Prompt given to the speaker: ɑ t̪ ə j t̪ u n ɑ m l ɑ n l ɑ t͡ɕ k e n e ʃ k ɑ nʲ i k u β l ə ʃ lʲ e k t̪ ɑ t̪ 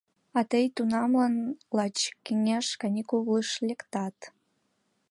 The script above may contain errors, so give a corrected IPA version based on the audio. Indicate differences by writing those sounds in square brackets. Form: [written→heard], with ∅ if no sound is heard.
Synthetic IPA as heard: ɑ t̪ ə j t̪ u n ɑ m l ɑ n l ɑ t͡ɕ k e [n→ŋ] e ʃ k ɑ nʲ i k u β l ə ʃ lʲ e k t̪ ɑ t̪